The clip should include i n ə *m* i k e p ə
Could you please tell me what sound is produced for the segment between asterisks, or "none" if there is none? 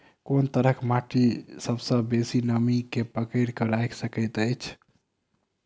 m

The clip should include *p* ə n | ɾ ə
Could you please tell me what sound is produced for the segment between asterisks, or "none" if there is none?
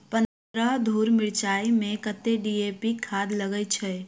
p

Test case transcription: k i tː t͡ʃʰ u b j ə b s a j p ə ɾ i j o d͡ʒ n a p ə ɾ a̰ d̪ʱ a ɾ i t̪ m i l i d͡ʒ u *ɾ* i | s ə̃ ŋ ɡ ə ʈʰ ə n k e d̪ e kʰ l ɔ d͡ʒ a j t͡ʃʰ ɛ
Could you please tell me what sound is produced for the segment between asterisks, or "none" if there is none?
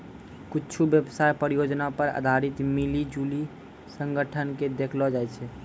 l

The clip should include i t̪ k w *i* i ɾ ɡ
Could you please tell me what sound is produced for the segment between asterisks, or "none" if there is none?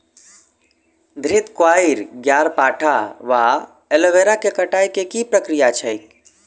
a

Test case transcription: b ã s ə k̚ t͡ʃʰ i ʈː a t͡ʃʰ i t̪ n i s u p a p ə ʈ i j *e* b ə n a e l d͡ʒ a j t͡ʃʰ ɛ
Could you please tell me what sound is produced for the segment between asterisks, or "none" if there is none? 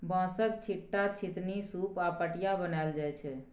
a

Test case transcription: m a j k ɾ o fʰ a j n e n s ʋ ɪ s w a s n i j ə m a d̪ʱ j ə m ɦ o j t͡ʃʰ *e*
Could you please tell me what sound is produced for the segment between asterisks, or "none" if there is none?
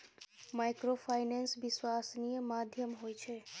e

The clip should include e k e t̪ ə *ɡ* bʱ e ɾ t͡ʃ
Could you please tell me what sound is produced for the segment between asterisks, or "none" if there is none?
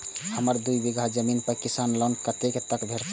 k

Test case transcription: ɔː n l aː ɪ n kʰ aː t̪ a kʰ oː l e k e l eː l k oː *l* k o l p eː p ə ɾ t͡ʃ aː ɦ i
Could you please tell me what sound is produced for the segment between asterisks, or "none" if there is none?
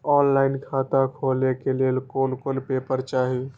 l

